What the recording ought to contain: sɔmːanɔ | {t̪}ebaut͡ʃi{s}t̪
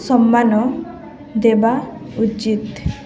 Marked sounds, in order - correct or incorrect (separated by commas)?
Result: incorrect, incorrect